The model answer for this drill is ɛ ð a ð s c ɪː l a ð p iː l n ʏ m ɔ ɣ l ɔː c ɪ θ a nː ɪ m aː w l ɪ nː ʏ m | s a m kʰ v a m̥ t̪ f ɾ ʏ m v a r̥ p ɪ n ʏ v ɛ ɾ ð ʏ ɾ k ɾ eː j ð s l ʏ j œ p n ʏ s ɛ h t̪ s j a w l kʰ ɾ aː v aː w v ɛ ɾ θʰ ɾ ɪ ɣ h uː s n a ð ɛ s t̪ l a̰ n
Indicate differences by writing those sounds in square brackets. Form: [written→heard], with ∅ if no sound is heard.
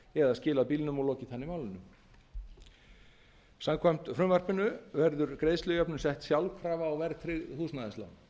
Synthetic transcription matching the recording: ɛ ð a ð s c ɪː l a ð p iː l n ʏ m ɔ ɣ l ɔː c ɪ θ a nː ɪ m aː w l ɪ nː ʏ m | s a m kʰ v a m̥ t̪ f ɾ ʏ m v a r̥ p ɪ n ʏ v ɛ ɾ ð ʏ ɾ k ɾ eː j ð s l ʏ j œ p n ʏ s ɛ h t̪ s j a w l kʰ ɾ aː v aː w v ɛ ɾ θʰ ɾ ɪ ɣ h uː s n a ð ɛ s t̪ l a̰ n